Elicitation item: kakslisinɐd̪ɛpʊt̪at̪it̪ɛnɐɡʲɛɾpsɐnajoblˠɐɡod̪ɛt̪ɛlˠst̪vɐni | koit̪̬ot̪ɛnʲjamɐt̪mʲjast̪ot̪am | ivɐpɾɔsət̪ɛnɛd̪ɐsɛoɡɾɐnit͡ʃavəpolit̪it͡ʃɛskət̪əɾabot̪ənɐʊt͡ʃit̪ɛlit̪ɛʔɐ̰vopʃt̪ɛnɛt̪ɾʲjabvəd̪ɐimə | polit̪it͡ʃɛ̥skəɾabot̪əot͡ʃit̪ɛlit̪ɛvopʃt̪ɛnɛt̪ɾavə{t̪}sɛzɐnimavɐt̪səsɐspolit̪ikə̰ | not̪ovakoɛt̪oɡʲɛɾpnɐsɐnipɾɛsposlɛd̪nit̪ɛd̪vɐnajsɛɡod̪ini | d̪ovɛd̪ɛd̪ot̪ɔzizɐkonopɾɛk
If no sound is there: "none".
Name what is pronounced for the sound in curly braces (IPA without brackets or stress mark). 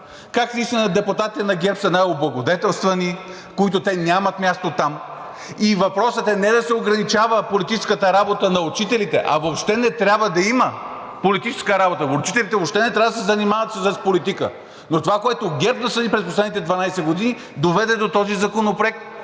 d̪